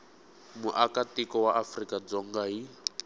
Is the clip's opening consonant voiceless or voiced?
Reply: voiced